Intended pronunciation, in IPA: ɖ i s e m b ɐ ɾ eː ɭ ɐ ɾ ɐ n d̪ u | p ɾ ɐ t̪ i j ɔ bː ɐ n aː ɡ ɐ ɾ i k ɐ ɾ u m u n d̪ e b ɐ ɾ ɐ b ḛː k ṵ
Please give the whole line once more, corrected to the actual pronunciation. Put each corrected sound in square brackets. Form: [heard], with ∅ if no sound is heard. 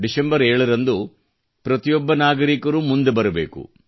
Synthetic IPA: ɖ i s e m b ɐ ɾ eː ɭ ɐ ɾ ɐ n d̪ u | p ɾ ɐ t̪ i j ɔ bː ɐ n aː ɡ ɐ ɾ i k ɐ ɾ u m u n d̪ e b ɐ ɾ ɐ b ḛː k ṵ

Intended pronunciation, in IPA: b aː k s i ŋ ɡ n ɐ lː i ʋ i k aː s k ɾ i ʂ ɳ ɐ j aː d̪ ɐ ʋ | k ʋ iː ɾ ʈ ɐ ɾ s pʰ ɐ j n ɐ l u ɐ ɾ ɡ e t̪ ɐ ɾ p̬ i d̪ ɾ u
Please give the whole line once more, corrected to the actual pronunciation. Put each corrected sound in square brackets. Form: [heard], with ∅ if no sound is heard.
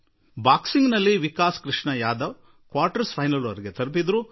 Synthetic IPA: b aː k s i ŋ ɡ n ɐ lː i ʋ i k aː s k ɾ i ʂ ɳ ɐ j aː d̪ ɐ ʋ | k ʋ [aː] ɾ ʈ ɐ ɾ s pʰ ɐ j n ɐ l u ɐ ɾ ɡ e t̪ ɐ ɾ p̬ i d̪ ɾ u

